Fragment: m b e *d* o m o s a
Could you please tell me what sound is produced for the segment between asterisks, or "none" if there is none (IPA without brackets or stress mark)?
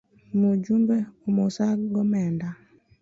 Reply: none